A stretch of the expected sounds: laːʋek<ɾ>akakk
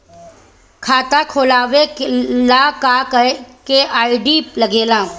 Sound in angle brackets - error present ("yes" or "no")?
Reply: yes